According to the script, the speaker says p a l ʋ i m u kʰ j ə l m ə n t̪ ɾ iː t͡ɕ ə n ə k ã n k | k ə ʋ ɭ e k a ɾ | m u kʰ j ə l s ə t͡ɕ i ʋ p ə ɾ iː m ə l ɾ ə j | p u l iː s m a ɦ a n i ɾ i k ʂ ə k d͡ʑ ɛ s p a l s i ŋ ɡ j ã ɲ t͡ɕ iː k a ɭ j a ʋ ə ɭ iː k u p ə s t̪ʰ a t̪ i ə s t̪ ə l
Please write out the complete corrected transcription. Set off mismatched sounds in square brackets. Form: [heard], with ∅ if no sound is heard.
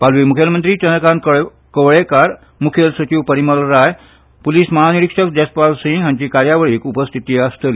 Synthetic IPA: p a l ʋ i m u kʰ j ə l m ə n t̪ ɾ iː t͡ɕ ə n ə k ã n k | k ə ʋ ɭ e k a ɾ | m u kʰ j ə l s ə t͡ɕ i ʋ p ə ɾ [i] m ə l ɾ [a] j | p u l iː s m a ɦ a n i ɾ i k ʂ ə k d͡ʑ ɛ s p a l s i ŋ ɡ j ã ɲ t͡ɕ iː k a [ɾ] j a ʋ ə ɭ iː k u p ə s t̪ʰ [i] t̪ i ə s t̪ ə l